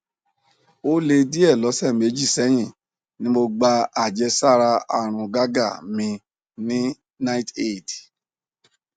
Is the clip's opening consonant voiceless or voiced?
voiced